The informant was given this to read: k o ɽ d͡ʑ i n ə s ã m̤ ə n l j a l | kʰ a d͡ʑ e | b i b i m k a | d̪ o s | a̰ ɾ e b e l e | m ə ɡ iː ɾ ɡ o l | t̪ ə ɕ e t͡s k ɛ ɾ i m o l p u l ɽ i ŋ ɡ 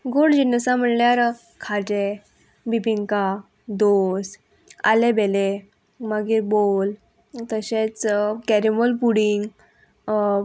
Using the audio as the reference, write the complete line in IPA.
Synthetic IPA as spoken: ɡ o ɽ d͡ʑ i n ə s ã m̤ ə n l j a ɾ | kʰ a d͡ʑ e | b i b i ŋ k a | d̪ o s | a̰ l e b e l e | m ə ɡ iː ɾ b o l | t̪ ə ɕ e t͡s k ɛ ɾ i m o l p u ɽ i ŋ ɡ